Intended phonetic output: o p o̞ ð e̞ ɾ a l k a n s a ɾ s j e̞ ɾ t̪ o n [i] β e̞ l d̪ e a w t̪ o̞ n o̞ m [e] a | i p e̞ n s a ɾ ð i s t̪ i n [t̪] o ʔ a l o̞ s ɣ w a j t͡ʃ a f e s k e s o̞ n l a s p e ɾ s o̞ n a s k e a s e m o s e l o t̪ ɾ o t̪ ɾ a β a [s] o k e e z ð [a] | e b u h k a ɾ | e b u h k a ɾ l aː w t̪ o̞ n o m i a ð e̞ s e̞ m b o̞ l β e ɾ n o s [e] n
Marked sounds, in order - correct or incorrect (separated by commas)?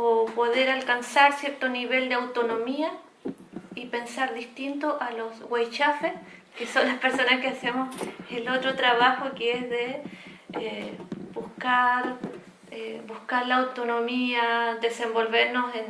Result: correct, incorrect, correct, incorrect, incorrect, correct